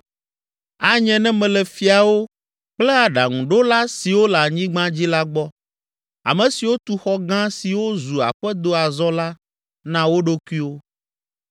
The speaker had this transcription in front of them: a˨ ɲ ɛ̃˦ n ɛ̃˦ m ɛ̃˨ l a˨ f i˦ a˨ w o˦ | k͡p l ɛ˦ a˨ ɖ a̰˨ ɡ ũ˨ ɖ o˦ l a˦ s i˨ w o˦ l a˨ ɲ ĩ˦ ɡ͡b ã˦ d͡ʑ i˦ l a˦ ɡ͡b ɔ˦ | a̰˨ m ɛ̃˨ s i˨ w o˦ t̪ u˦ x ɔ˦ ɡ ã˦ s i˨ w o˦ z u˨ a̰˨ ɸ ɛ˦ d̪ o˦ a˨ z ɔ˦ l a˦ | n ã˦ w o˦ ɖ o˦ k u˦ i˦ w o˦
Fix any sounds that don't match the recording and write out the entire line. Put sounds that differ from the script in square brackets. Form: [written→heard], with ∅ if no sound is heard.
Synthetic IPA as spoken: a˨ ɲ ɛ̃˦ n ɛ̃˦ m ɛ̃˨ l [a˨→ɛ˨] f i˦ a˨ w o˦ | k͡p l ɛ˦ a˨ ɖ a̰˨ [ɡ→ŋ] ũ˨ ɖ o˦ l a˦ s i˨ w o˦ l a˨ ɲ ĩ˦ ɡ͡b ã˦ d͡ʑ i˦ l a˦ ɡ͡b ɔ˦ | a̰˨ m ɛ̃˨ s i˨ w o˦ t̪ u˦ x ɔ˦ ɡ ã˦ s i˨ w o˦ z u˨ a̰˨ ɸ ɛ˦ d̪ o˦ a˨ z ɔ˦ l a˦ | n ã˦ w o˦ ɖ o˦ k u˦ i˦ w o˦